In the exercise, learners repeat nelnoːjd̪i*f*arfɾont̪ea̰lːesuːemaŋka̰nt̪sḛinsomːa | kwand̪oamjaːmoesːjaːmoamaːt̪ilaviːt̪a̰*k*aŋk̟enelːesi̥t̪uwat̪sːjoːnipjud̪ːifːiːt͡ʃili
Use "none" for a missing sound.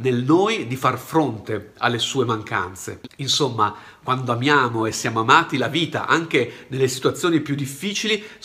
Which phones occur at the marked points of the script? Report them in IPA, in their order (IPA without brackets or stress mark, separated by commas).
f, ʔ